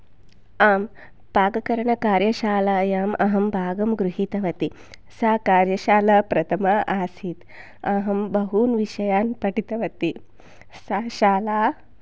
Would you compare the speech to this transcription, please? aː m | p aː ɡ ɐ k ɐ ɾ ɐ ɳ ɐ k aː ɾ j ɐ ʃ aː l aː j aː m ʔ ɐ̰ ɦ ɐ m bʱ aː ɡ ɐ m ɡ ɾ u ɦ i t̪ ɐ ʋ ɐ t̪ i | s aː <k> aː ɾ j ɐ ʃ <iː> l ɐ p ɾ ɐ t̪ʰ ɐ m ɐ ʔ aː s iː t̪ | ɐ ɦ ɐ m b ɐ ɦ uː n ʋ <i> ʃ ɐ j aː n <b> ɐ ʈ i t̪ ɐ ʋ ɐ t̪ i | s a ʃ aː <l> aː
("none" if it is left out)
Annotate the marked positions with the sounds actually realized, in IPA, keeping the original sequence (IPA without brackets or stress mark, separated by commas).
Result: k, aː, i, p, l